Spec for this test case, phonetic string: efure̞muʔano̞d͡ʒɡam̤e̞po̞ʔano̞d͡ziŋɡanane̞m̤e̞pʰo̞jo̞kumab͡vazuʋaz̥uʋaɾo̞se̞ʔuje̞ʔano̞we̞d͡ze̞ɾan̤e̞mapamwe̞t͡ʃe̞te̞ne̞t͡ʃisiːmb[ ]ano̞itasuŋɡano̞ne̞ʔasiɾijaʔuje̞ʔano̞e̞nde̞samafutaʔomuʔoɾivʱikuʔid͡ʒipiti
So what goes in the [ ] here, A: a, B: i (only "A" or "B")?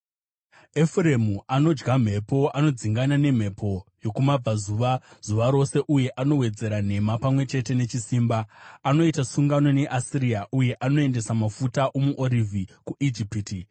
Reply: A